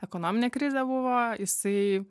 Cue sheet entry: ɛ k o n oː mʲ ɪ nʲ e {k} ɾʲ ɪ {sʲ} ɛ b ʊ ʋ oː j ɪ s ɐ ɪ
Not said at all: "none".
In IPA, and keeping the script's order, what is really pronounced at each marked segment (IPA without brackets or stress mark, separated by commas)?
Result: k, zʲ